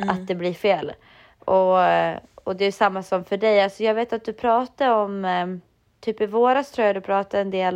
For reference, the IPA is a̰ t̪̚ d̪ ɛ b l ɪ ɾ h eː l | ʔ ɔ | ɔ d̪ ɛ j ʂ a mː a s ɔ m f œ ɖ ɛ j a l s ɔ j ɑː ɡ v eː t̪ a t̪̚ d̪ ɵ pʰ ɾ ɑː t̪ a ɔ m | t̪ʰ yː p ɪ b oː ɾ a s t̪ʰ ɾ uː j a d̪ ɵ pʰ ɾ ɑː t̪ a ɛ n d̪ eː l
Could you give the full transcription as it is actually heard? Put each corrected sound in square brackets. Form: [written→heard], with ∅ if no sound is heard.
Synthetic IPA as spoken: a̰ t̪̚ d̪ ɛ b l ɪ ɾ [h→f] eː l | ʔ ɔ | ɔ d̪ ɛ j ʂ a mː a s ɔ m f œ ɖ ɛ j a l s ɔ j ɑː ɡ v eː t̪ a t̪̚ d̪ ɵ pʰ ɾ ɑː t̪ a ɔ m | t̪ʰ yː p ɪ [b→v] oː ɾ a s t̪ʰ ɾ uː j a d̪ ɵ pʰ ɾ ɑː t̪ a ɛ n d̪ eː l